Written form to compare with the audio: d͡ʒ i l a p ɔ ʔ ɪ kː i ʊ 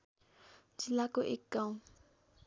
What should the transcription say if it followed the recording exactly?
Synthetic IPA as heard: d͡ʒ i l a k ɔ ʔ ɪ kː a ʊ